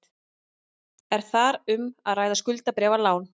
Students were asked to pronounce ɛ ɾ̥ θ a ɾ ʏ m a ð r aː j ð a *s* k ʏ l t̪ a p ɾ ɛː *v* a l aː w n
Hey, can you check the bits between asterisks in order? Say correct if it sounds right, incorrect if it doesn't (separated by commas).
correct, correct